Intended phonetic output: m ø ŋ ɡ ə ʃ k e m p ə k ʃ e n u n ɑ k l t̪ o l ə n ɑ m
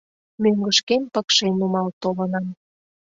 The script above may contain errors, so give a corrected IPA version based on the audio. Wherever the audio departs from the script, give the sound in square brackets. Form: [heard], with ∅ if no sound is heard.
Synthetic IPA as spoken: m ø ŋ ɡ ə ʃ k e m p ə k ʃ e n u [m] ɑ [∅] l t̪ o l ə n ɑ m